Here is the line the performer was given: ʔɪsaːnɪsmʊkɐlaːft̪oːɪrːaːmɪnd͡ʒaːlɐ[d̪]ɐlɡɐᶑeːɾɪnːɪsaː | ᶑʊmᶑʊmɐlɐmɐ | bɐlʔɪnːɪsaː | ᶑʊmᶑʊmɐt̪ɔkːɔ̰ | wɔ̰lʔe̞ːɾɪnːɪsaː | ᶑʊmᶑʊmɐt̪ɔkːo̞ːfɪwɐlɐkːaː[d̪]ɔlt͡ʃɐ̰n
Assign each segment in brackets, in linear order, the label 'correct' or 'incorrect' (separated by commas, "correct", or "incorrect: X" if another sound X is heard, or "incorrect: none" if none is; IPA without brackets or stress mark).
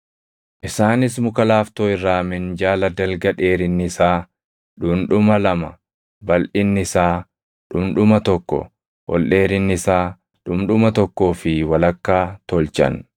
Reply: correct, incorrect: t̪